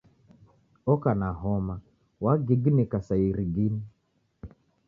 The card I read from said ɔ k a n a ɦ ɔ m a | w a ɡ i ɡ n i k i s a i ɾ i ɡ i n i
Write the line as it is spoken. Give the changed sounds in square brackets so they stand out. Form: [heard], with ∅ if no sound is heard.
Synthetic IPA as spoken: ɔ k a n a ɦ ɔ m a | w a ɡ i ɡ n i k [a] s a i ɾ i ɡ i n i